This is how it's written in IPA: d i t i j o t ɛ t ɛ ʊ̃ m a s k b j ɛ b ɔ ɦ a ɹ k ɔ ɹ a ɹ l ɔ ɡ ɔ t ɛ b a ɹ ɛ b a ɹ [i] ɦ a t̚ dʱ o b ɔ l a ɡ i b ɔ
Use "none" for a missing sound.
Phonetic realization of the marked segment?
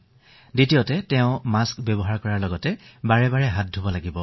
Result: ɛ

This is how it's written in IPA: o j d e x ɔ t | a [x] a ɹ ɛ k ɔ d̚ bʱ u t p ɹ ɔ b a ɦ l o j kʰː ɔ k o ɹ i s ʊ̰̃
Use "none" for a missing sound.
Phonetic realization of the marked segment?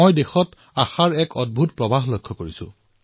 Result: x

